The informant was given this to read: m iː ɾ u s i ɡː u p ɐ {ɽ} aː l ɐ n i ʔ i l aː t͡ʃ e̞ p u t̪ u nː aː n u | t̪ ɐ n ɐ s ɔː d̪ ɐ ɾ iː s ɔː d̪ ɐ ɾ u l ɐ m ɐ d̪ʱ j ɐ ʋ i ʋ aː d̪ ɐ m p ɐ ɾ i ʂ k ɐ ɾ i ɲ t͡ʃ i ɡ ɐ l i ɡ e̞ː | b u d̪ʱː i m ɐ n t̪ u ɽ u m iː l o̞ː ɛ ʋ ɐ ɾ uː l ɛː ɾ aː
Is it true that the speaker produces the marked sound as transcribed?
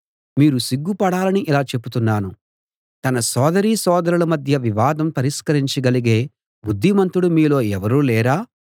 yes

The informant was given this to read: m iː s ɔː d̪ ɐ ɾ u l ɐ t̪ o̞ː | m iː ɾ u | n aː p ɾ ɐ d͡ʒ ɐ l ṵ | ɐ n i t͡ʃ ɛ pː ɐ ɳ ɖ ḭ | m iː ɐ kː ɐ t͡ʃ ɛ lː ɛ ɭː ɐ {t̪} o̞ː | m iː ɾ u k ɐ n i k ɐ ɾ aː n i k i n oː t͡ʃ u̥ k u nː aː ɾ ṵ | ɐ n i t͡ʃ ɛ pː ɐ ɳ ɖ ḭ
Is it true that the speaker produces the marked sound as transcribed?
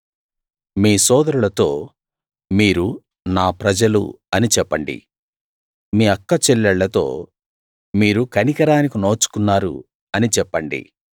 yes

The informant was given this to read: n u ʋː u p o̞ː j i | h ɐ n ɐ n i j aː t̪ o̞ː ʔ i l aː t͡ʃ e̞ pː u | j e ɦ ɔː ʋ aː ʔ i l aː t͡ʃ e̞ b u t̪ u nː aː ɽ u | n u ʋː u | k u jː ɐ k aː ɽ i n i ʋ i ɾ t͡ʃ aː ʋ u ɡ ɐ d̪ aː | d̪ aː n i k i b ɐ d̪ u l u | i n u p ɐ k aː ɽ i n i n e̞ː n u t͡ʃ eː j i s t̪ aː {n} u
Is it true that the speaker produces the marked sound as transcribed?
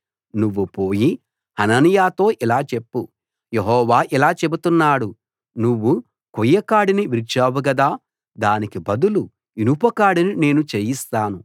yes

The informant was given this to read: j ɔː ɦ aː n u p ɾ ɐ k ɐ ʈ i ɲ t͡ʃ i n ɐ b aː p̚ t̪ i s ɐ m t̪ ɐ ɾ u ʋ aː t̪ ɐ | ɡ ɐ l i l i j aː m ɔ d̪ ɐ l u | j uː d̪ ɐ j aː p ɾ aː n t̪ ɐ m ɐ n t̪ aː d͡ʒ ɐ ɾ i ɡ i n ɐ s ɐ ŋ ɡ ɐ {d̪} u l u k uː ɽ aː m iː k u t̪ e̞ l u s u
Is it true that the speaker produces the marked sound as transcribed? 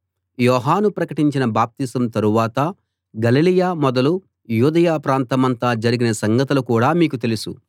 no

